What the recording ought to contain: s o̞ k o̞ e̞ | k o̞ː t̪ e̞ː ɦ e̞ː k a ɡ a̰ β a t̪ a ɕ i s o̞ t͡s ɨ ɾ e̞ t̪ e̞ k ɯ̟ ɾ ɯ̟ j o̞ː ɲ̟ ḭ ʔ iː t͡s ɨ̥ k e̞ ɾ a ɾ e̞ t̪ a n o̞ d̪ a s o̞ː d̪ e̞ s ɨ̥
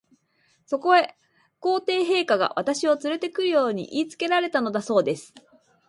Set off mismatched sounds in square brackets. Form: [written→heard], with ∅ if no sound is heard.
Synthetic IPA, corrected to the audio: s o̞ k o̞ e̞ | k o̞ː t̪ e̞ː ɦ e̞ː k a ɡ a̰ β a t̪ a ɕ i [s→∅] o̞ t͡s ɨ ɾ e̞ t̪ e̞ k ɯ̟ ɾ ɯ̟ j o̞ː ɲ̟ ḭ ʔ iː t͡s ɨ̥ k e̞ ɾ a ɾ e̞ t̪ a n o̞ d̪ a s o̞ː d̪ e̞ s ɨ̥